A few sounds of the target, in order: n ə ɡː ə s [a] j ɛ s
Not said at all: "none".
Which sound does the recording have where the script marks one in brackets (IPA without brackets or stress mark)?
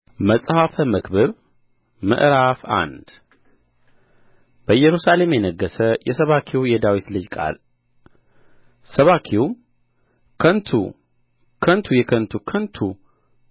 ə